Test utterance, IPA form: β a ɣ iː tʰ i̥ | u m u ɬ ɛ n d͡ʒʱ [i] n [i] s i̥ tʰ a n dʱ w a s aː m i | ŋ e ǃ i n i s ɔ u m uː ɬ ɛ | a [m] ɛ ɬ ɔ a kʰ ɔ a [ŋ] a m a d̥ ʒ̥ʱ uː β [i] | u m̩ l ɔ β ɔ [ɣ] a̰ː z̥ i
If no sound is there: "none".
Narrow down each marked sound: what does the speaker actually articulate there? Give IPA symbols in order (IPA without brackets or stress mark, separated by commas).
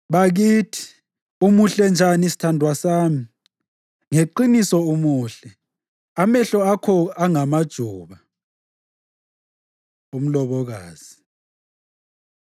a, i, m, ŋ, a, ɣ